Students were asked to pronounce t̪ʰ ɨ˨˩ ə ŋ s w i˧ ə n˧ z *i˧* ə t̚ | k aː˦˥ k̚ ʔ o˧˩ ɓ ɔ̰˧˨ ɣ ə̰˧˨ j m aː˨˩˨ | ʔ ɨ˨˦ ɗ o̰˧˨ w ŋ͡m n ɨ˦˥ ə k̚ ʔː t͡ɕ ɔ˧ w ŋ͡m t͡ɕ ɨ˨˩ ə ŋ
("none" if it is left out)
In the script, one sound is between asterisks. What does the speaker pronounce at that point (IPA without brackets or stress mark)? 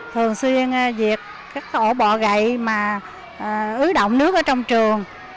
i˨˩